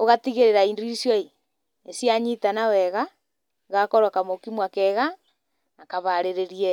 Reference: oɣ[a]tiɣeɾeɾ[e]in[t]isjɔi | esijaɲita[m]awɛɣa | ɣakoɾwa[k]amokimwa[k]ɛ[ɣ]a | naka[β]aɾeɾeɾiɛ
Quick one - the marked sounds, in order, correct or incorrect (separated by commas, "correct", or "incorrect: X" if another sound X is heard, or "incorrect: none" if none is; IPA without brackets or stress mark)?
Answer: correct, incorrect: a, incorrect: d, incorrect: n, correct, correct, correct, correct